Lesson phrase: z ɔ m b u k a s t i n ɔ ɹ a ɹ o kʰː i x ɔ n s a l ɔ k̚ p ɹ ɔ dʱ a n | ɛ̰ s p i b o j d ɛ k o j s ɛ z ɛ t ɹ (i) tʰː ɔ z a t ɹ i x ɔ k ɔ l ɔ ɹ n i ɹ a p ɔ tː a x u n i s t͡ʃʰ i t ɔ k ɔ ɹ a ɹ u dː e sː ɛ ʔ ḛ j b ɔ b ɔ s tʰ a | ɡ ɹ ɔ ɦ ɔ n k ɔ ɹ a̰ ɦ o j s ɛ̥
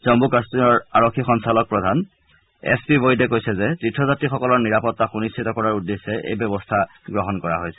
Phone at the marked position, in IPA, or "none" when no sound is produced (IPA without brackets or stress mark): i